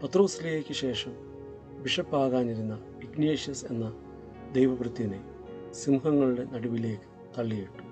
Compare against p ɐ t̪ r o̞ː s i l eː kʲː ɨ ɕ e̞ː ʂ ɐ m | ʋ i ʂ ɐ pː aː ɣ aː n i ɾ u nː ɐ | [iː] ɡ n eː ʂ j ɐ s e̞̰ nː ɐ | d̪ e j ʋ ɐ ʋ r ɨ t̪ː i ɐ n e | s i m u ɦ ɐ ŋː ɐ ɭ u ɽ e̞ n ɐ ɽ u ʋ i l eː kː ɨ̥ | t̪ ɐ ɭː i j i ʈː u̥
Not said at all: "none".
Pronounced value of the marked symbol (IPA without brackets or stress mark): i